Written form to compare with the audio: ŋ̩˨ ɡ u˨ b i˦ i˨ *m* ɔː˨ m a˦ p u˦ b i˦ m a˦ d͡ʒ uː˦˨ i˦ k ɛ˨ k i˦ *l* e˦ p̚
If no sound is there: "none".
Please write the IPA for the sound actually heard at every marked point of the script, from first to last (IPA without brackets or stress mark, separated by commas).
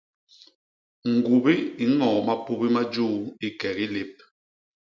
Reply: ŋ, l